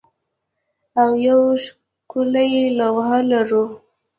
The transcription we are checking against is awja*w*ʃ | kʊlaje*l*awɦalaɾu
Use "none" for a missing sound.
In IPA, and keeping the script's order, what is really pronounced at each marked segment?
w, l

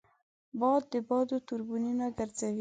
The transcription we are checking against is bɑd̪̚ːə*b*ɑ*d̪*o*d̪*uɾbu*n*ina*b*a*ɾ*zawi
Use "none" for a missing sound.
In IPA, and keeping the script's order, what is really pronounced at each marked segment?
b, d̪, t̪, n, ɡ, ɾ

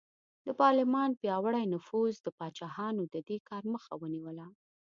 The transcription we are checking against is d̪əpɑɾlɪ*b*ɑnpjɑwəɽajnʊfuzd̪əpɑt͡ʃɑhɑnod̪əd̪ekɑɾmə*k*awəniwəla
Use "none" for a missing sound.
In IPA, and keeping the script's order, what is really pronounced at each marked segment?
m, x

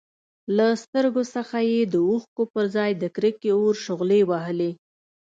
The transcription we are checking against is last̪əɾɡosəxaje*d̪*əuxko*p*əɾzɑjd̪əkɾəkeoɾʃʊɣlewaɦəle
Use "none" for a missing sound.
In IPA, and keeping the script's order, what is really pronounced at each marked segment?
d̪, p

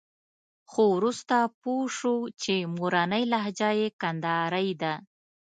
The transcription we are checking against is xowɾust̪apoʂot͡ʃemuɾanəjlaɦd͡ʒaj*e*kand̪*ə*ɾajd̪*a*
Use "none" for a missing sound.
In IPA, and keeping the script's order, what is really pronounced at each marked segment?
e, ɑ, a

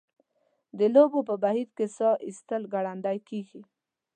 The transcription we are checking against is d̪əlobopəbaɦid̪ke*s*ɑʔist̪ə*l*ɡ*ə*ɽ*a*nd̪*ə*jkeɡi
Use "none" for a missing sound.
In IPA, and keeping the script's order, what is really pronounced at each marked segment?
s, l, a, a, a

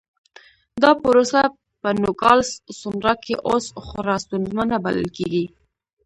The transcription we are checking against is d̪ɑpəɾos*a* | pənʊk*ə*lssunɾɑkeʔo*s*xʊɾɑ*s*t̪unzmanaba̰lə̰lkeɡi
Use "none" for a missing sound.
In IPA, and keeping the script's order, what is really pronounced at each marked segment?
a, ɑ, s, s

